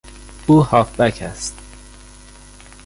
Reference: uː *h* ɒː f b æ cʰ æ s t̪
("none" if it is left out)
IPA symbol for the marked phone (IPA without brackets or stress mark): h